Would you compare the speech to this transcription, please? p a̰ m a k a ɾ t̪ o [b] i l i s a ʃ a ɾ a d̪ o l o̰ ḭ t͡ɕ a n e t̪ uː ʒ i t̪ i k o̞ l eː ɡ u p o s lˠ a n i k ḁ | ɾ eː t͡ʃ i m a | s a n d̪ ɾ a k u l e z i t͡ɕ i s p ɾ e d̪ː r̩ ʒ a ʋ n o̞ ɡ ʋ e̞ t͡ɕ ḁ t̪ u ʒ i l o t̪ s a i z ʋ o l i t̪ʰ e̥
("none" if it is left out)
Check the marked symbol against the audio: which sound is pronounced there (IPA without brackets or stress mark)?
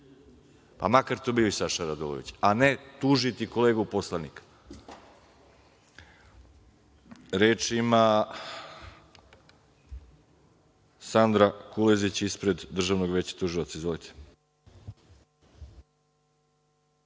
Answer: b